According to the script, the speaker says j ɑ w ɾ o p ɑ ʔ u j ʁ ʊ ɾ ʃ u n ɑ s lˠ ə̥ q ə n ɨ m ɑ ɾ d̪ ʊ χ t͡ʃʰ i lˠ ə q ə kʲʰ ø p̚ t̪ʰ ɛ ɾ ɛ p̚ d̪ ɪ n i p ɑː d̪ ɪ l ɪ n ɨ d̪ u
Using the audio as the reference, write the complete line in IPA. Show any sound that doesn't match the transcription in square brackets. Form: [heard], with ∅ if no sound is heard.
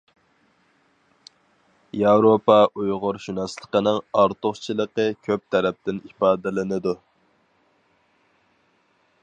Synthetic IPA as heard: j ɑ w ɾ o p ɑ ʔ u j ʁ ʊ ɾ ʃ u n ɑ s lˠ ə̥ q ə n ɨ [ŋ] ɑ ɾ [t̪] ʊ χ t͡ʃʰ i lˠ ə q ə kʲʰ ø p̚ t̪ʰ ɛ ɾ ɛ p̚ [t̪] ɪ n i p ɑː d̪ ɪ l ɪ n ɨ d̪ u